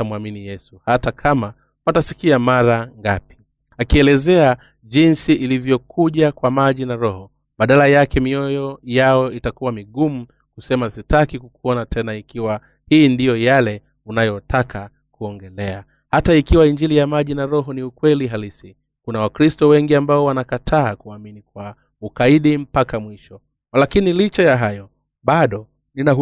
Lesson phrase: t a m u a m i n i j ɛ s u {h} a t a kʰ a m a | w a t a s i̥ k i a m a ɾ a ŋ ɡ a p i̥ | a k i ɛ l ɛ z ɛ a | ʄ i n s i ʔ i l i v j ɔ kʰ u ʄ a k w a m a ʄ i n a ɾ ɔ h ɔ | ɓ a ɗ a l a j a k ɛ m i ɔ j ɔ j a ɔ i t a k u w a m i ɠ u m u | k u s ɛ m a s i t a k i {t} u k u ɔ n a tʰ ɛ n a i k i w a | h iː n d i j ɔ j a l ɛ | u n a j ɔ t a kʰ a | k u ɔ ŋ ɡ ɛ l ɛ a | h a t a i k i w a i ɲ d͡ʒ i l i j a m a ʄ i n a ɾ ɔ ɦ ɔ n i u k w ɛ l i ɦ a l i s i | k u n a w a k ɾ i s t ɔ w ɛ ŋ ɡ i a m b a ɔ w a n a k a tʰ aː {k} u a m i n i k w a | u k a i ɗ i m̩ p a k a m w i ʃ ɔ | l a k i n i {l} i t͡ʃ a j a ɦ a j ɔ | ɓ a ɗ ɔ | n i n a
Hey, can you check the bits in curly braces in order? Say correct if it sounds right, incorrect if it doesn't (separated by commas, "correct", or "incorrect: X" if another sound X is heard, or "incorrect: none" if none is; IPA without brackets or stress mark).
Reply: correct, incorrect: k, correct, correct